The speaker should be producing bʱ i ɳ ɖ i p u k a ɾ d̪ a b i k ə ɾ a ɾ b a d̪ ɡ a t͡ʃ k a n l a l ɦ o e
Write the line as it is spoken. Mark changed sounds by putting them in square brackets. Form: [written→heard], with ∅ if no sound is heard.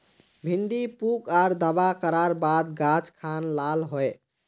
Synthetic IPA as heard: bʱ i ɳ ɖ i p u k a ɾ d̪ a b [i→a] k ə ɾ a ɾ b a d̪ ɡ a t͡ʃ [k→kʰ] a n l a l ɦ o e